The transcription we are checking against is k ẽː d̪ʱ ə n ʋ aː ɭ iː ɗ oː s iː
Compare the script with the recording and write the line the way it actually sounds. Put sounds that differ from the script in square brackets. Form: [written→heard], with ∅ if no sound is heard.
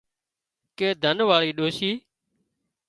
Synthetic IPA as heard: k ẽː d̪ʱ ə n ʋ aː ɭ iː ɗ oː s iː